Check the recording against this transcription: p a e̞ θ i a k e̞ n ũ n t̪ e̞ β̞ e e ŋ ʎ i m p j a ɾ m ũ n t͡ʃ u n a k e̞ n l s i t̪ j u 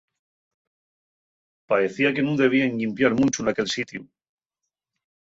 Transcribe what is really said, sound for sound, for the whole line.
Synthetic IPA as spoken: p a e̞ θ i a k e̞ n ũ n d̪ e̞ β̞ i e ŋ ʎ i m p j a ɾ m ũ n t͡ʃ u n a k e̞ l s i t̪ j u